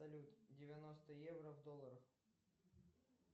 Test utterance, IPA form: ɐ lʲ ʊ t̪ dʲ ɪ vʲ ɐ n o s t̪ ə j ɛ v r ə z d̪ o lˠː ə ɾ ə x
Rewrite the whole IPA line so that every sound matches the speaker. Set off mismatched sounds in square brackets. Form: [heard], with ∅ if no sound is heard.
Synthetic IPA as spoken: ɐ lʲ [u] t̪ dʲ ɪ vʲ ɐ n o s t̪ ə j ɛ v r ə [v] d̪ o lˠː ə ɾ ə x